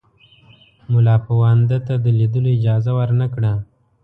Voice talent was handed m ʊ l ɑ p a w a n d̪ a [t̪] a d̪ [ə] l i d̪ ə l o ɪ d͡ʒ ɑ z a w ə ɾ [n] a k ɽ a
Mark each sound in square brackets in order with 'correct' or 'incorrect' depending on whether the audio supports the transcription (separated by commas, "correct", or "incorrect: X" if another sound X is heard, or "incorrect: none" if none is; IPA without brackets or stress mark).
correct, correct, correct